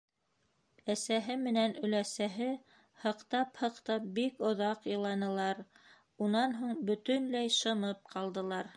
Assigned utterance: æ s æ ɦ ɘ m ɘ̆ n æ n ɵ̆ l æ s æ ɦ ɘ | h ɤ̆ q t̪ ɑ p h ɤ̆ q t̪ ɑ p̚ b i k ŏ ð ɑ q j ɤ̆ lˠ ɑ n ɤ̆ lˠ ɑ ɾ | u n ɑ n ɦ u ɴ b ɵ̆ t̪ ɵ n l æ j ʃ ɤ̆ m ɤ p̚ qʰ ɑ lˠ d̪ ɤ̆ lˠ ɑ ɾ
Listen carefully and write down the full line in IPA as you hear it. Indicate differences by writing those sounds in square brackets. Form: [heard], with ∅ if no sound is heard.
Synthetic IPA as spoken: æ s æ ɦ ɘ m ɘ̆ n æ n ɵ̆ l æ s æ ɦ ɘ | h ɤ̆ q t̪ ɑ p h ɤ̆ q t̪ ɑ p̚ b i k ŏ ð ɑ q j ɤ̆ lˠ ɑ n ɤ̆ lˠ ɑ ɾ | u n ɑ n ɦ u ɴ b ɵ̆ t̪ ɵ n l æ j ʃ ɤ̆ m ɤ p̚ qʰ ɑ lˠ d̪ ɤ̆ lˠ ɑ ɾ